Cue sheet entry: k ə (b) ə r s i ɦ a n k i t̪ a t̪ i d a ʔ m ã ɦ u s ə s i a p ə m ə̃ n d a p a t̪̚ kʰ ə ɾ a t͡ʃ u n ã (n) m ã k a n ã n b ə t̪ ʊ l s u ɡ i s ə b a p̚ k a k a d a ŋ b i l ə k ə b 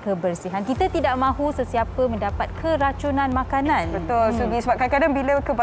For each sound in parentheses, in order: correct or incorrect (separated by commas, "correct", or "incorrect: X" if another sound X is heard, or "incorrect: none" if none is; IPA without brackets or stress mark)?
correct, correct